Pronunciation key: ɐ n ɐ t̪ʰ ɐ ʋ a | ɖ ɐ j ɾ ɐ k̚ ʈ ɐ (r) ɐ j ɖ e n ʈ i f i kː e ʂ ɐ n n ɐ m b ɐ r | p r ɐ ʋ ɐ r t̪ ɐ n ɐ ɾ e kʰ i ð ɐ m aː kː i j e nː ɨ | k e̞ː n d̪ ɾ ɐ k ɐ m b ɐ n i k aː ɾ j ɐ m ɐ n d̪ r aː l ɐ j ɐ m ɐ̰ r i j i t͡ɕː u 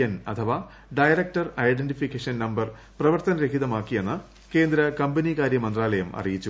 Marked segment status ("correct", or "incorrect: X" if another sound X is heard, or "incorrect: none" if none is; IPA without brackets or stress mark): correct